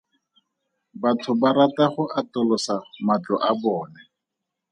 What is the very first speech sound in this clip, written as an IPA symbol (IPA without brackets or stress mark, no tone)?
b